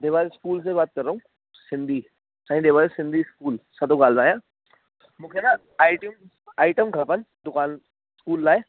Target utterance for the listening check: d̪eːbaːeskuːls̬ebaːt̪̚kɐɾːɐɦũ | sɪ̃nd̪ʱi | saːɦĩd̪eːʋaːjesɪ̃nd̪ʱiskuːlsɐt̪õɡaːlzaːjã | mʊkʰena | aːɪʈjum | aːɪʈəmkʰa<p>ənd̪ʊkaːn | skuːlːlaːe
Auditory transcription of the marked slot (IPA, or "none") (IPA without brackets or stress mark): p